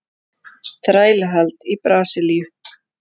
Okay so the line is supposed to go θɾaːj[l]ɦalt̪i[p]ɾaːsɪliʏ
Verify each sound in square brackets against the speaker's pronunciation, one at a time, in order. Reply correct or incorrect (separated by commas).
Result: correct, correct